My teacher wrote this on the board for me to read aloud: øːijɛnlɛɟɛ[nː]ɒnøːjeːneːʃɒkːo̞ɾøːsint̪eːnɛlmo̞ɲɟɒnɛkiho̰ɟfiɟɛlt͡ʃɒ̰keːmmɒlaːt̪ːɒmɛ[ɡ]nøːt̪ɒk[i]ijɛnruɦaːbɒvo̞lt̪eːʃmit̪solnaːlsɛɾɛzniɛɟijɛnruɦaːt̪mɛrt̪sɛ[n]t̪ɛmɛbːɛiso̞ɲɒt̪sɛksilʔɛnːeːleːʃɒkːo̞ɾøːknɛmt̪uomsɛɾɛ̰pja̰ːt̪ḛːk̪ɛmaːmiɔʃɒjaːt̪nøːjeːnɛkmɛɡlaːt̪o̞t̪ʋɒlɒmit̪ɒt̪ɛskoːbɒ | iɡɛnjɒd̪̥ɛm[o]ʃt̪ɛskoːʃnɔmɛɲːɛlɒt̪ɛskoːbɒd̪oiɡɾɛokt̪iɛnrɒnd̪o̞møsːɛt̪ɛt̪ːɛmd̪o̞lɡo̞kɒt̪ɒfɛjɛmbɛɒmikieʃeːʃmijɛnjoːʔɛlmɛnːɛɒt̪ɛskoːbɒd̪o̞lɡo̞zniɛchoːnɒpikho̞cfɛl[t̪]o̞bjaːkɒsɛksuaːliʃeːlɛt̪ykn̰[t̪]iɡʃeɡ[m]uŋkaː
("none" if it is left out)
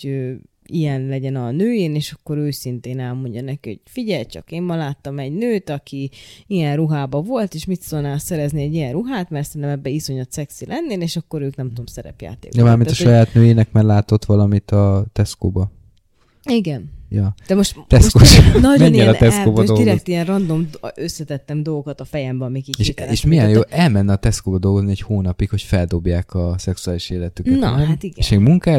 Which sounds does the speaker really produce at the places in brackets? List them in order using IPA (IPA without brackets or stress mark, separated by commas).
n, ɟ, i, n, o, d̪, t̪, m